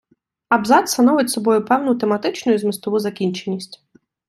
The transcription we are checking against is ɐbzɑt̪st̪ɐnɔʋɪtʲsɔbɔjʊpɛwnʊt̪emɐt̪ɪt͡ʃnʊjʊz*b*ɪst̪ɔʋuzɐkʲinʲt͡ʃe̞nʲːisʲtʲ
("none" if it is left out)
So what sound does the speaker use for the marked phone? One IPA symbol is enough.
m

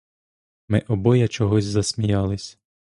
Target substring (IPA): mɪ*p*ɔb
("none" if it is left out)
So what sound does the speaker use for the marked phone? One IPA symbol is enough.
ʔ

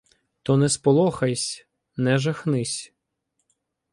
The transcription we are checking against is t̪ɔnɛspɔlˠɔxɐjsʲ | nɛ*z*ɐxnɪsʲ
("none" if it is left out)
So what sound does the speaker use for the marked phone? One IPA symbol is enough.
ʒ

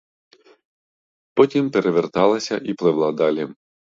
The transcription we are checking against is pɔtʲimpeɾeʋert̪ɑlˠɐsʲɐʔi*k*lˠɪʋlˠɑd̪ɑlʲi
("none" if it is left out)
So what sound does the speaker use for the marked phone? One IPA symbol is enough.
p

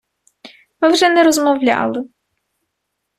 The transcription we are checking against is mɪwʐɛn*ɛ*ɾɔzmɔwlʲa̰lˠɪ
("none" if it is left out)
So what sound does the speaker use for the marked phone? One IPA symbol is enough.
ɛ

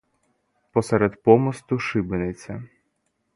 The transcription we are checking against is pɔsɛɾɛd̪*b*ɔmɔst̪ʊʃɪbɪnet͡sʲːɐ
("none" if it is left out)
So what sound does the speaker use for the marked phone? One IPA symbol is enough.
p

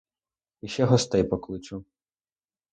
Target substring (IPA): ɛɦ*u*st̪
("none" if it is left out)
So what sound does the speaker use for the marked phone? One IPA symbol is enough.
ɔ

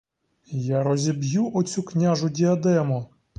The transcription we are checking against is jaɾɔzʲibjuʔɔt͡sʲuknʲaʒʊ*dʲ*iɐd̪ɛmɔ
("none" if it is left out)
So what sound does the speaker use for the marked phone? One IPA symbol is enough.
dʲ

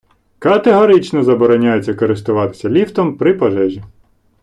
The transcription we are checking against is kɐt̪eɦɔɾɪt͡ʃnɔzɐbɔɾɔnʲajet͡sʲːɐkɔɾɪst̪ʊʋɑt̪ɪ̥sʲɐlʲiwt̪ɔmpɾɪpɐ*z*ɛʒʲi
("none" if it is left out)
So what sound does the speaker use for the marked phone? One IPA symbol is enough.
ʒ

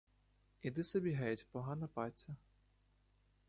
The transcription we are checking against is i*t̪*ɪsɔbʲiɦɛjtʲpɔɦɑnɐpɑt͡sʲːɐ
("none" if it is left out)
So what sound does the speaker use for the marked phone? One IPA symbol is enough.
d̪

